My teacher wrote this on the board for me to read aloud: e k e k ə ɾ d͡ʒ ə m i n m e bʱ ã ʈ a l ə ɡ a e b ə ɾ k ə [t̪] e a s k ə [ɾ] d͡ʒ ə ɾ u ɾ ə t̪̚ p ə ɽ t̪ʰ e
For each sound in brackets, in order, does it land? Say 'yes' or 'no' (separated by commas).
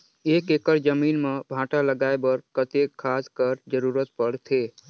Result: yes, yes